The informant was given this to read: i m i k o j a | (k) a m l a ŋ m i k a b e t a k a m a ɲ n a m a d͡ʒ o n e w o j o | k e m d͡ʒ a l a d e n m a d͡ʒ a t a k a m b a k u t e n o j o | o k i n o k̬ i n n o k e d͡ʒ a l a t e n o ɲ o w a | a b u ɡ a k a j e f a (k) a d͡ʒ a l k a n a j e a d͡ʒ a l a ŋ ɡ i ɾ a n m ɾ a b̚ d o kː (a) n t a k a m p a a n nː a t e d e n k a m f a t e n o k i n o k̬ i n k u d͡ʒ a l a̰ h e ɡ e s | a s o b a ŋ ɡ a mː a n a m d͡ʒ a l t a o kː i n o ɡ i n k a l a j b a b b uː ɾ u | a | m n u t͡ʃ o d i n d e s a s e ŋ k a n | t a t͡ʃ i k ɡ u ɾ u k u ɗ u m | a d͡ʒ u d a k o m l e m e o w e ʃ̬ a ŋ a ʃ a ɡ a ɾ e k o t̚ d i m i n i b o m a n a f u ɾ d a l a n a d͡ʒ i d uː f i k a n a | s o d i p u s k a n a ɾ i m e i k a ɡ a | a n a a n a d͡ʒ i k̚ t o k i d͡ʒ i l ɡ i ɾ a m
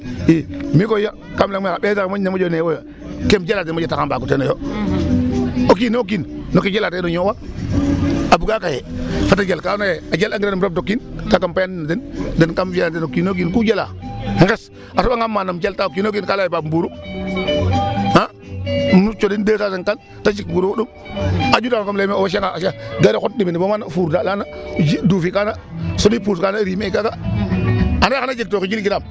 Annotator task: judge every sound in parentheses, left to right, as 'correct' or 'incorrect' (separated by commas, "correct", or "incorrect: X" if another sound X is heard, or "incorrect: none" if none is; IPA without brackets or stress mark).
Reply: correct, incorrect: t, incorrect: i